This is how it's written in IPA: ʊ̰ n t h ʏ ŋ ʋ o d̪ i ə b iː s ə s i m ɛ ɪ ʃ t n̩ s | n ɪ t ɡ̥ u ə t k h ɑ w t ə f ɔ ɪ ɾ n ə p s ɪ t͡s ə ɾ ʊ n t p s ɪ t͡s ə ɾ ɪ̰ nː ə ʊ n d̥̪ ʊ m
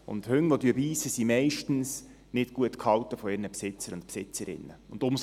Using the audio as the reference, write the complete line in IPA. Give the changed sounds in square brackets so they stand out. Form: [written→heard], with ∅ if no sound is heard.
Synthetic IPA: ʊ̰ n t h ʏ ŋ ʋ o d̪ [i→y] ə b iː s ə s i m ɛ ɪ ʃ t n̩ s | n ɪ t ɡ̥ u ə t k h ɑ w t ə f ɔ ɪ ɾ n ə p s ɪ t͡s ə ɾ ʊ n t p s ɪ t͡s ə ɾ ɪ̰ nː ə ʊ n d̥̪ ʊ m